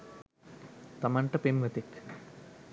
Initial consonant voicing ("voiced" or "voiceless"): voiceless